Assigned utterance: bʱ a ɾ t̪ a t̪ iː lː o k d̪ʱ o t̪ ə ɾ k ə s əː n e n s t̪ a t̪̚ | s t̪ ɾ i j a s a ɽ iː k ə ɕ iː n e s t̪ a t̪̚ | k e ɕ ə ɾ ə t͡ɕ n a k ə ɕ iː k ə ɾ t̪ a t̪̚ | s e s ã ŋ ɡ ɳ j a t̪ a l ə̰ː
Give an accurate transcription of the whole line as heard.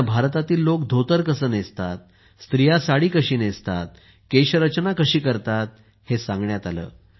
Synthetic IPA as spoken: bʱ a ɾ t̪ a t̪ iː lː o k d̪ʱ o t̪ ə ɾ k ə s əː n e s t̪ a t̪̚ | s t̪ ɾ i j a s a ɽ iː k ə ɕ iː n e s t̪ a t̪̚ | k e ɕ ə ɾ ə t͡ɕ n a k ə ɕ iː k ə ɾ t̪ a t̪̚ | h e s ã ŋ ɡ ɳ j a t̪ a l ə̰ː